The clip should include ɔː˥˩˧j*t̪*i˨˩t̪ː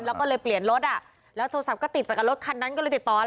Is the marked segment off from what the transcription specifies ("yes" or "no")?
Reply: no